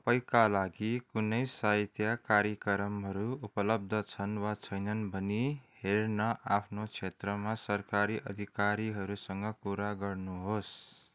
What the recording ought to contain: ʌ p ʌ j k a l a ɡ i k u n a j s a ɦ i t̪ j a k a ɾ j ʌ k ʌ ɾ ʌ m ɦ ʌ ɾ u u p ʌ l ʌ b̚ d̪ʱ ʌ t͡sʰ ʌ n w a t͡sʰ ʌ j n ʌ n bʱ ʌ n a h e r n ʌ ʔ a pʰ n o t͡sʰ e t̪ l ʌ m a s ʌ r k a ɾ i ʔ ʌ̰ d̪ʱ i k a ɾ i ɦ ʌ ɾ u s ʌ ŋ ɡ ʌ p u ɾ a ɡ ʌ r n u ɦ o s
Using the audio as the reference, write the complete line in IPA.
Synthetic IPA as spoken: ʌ p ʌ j k a l a ɡ i k u n ʌ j s a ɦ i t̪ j a k a ɾ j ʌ k ʌ ɾ ʌ m ɦ ʌ ɾ u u p ʌ l ʌ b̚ d̪ʱ ʌ t͡sʰ ʌ n w a t͡sʰ ʌ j n ʌ n bʱ ʌ n i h e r n ʌ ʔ a pʰ n o t͡sʰ e t̪ r ʌ m a s ʌ r k a ɾ i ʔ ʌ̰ d̪ʱ i k a ɾ i ɦ ʌ ɾ u s ʌ ŋ ɡ ʌ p u ɾ a ɡ ʌ r n u ɦ o s